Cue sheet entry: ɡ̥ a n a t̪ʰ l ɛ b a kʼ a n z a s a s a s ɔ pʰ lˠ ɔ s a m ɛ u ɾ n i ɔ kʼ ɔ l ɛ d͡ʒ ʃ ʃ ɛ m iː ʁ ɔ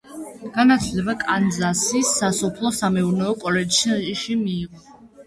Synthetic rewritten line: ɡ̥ a n a t̪ʰ l ɛ b a kʼ a n z a s i s a s ɔ pʰ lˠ ɔ s a m ɛ u ɾ n ɛ ɔ kʼ ɔ l ɛ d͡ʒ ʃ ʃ i m iː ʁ ɔ